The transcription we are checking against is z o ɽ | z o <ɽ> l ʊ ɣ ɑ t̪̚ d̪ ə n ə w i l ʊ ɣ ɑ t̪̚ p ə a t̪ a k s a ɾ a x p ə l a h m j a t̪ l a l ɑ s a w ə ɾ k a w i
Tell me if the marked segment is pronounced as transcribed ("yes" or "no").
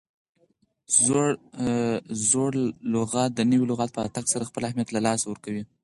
yes